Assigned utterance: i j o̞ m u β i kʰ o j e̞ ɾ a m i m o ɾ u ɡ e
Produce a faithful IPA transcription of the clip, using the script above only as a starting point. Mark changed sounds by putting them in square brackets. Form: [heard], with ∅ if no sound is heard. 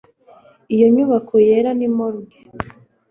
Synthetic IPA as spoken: i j o̞ [ɲ] u β [a] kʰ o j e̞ ɾ a [n] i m o ɾ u ɡ e